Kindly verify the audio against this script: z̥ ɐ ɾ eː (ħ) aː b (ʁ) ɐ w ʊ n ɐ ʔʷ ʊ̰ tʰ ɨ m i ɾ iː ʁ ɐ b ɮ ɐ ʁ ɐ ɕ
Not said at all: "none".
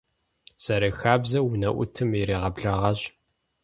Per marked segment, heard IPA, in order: x, z

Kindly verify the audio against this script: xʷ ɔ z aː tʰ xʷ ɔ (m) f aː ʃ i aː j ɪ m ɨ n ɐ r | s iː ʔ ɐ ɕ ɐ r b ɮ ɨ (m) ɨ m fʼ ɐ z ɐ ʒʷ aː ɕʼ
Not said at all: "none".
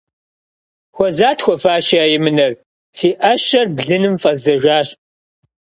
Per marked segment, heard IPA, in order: none, n

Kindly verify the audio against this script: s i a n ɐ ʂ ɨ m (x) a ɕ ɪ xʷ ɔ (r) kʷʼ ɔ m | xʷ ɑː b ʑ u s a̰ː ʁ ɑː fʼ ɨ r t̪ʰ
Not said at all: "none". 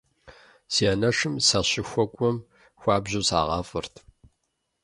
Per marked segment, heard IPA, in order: s, none

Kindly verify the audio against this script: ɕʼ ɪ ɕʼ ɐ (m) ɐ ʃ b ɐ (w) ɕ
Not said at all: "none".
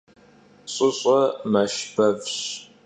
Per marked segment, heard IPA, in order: m, v

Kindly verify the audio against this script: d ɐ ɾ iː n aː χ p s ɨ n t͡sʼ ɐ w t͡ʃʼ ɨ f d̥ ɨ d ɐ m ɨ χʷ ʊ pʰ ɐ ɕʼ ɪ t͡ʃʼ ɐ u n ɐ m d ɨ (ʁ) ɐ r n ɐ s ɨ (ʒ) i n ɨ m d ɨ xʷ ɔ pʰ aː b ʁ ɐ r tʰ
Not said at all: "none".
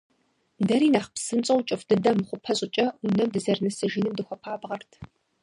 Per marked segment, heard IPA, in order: z, ʒ

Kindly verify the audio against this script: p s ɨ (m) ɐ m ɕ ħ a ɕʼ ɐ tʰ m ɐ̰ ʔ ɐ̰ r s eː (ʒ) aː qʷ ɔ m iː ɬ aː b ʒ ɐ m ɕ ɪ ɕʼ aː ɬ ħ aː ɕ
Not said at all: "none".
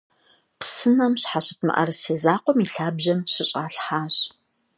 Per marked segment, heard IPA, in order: n, z

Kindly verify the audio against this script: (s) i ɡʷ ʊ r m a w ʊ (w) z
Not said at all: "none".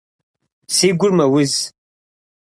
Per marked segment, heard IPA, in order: s, none

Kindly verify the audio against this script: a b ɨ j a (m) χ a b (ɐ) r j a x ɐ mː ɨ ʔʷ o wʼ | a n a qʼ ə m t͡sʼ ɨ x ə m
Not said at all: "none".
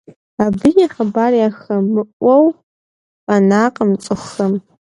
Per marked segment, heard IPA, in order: none, a

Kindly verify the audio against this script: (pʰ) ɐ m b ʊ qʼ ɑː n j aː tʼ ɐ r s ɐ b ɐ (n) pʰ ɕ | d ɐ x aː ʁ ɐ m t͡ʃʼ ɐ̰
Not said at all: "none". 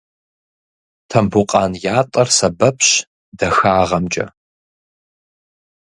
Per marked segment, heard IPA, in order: tʰ, none

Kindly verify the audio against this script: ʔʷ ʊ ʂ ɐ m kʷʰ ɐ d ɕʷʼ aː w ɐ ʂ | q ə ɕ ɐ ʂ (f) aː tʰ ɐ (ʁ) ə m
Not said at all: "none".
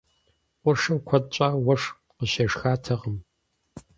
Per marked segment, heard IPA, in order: x, ʁ

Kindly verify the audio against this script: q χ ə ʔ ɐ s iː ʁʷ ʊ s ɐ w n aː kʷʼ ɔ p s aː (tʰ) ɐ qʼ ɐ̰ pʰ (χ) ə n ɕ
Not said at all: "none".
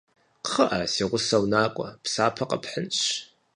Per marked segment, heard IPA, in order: pʰ, ħ

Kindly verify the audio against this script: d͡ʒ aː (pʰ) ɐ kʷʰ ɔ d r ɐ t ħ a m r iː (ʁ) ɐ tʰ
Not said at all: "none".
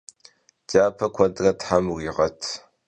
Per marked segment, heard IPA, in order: pʰ, ʁ

